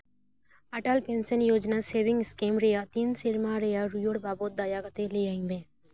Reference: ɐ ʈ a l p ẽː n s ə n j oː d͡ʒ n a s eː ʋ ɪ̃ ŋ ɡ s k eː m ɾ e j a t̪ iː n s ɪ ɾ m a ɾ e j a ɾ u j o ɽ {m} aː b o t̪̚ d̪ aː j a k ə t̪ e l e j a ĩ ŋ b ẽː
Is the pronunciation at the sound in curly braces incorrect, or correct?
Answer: incorrect